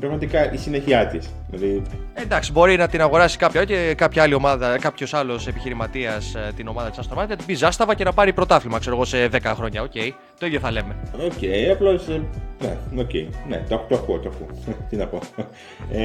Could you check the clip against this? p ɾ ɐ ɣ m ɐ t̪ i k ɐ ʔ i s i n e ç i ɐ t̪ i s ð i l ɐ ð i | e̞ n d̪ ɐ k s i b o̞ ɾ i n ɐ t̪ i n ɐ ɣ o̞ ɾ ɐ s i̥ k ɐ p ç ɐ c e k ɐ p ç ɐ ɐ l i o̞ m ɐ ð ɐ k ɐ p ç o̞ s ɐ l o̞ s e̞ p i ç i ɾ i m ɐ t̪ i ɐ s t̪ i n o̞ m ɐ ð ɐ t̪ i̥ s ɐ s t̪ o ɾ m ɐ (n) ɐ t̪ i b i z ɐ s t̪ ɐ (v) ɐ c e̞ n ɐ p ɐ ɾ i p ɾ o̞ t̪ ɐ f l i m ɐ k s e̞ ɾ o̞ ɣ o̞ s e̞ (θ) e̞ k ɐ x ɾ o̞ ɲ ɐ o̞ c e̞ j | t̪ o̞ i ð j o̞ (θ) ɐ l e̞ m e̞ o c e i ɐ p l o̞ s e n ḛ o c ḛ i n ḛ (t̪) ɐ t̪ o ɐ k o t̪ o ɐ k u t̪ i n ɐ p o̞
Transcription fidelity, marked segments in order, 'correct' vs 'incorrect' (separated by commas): correct, correct, incorrect, correct, correct